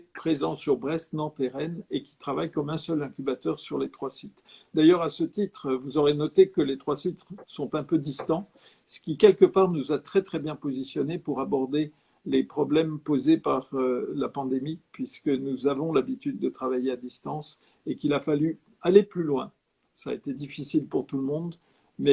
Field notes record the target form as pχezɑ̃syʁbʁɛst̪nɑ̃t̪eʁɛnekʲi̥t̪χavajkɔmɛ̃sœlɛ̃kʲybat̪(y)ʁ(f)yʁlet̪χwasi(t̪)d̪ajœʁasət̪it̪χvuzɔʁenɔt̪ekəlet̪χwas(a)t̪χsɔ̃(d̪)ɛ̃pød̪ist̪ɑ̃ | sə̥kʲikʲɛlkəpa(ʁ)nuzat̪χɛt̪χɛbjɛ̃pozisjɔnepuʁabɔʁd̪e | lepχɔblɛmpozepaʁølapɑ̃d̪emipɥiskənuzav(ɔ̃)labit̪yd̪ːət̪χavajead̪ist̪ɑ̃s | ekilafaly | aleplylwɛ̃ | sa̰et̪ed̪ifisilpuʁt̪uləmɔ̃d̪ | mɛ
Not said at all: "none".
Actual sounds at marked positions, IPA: œ, s, t̪, i, t̪, ʁ, ɔ̃

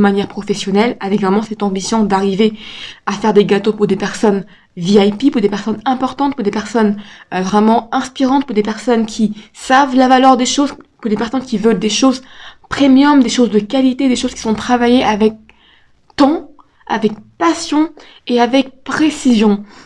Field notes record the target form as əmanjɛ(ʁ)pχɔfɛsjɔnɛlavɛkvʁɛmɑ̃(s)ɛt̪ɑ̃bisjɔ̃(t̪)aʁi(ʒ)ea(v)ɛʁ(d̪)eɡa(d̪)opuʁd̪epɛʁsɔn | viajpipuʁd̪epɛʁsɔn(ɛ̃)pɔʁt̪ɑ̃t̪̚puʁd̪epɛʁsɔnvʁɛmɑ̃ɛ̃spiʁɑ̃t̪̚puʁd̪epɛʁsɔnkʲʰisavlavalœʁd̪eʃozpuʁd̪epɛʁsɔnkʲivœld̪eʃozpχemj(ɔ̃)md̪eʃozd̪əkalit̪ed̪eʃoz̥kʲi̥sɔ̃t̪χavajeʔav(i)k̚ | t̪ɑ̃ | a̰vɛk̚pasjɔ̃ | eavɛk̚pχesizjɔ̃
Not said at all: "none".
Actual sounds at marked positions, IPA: ʁ, s, d̪, v, f, d̪, t̪, ɛ̃, ɔ, ɛ

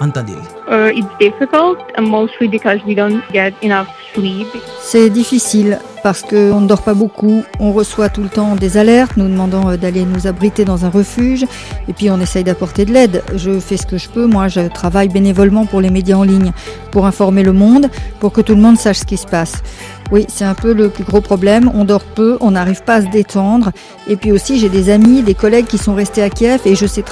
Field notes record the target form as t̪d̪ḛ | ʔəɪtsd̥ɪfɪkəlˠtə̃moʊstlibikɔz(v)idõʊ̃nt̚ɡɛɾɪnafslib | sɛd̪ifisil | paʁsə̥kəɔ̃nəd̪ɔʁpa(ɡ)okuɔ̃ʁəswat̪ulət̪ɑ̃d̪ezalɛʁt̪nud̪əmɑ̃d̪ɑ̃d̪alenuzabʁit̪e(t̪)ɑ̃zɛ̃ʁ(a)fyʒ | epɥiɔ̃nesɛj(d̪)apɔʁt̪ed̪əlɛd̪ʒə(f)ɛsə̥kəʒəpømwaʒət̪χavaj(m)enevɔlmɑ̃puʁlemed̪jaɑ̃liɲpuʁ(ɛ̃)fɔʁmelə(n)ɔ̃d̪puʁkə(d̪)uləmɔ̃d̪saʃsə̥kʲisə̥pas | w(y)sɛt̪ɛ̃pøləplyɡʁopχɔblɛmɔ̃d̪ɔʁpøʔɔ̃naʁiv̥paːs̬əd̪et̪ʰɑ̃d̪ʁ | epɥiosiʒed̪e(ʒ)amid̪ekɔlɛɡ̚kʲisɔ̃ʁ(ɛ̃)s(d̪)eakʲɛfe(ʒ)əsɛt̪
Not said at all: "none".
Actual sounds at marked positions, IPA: w, b, d̪, ə, d̪, f, b, ɛ̃, m, t̪, i, z, ɛ, t̪, ʒ

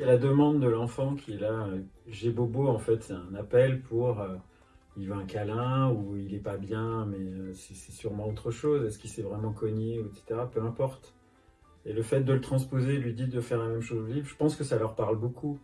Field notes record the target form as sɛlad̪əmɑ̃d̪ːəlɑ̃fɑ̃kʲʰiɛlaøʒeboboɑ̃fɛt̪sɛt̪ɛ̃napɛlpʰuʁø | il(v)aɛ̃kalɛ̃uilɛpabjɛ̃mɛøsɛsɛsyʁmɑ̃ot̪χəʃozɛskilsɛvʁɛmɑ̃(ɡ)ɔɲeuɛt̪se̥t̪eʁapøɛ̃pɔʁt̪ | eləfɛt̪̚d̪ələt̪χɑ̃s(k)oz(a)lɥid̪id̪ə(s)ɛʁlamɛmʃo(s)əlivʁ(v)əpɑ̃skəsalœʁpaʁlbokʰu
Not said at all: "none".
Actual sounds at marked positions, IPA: v, k, p, e, f, z, ʒ

